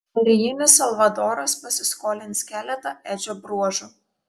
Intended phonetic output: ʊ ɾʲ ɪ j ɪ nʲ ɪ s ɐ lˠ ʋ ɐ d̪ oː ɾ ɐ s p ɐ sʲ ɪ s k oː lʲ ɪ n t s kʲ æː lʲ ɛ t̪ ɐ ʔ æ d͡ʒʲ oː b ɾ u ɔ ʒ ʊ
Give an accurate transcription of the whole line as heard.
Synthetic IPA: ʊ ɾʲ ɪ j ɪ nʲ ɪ s ɐ lˠ ʋ ɐ d̪ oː ɾ ɐ s p ɐ sʲ ɪ s k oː lʲ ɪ n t s kʲ æː lʲ ɛ t̪ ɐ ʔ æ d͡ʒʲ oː b ɾ u ɔ ʒ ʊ